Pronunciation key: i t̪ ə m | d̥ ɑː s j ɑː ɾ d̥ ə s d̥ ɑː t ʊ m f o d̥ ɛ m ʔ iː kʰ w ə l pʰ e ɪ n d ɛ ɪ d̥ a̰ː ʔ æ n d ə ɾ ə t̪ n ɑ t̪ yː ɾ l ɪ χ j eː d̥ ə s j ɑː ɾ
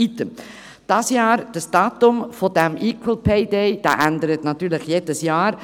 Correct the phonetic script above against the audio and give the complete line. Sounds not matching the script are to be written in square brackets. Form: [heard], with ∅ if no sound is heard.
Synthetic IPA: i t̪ ə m | d̥ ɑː s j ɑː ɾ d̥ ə s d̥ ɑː t ʊ m f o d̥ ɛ m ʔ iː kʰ w ə l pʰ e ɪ [∅] d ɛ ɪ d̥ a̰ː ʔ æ n d ə ɾ ə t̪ n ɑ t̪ yː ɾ l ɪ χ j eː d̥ ə s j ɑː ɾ